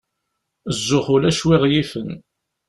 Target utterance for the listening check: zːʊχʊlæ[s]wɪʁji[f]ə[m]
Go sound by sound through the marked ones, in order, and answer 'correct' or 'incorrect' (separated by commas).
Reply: incorrect, correct, incorrect